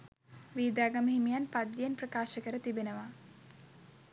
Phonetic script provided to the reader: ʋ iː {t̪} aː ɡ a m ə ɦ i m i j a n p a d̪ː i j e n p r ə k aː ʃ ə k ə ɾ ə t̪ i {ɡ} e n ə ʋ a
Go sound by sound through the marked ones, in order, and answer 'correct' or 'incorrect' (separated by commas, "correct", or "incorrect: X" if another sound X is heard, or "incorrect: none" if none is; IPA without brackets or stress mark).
incorrect: d̪, incorrect: b